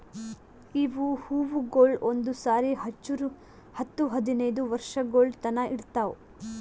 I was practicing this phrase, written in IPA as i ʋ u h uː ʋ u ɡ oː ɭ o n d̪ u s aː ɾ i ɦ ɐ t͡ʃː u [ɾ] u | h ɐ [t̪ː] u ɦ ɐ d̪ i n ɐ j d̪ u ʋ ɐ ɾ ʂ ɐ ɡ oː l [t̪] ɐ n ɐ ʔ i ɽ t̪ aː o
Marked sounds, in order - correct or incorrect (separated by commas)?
correct, correct, correct